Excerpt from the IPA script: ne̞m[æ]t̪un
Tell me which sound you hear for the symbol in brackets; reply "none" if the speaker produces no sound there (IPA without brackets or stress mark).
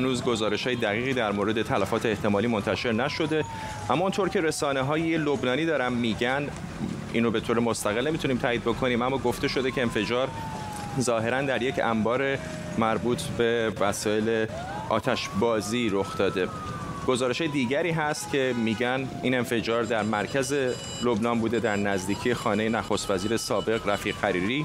i